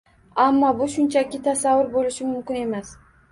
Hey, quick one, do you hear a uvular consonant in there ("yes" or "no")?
no